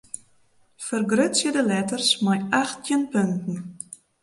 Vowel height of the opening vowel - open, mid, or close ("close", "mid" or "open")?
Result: mid